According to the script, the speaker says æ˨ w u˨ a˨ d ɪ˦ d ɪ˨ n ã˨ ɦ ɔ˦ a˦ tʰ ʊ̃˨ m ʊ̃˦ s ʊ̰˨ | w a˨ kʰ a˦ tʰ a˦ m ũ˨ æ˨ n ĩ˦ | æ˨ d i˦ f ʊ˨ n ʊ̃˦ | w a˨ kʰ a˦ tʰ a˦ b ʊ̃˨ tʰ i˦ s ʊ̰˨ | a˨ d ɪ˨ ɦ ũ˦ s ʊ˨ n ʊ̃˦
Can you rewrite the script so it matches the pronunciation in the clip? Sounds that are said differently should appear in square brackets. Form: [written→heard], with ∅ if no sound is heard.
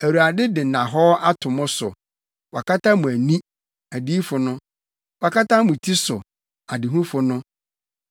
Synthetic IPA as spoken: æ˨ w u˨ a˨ d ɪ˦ d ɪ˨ n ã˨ ɦ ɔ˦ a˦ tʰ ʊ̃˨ m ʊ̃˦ s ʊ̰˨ | w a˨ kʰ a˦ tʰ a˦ m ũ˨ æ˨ n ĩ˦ | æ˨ d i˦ f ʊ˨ n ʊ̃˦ | w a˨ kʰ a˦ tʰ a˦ [b→m] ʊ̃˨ tʰ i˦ s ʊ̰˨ | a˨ d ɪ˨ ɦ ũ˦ [s→f] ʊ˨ n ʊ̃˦